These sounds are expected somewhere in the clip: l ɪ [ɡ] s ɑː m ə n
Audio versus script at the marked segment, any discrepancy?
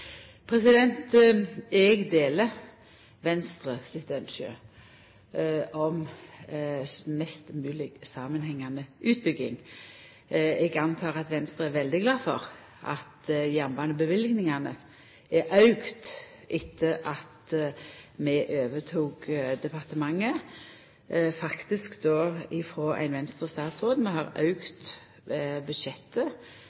no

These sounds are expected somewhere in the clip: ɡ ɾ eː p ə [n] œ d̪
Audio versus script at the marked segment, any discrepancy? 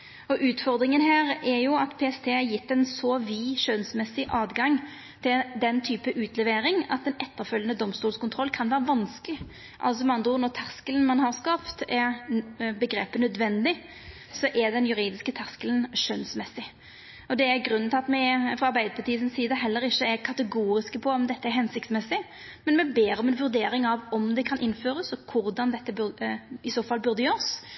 no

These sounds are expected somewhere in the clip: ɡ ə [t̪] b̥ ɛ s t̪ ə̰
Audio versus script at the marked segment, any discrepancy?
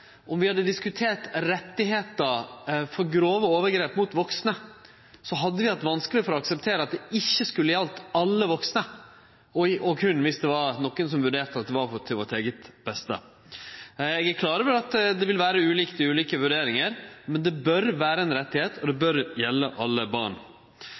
no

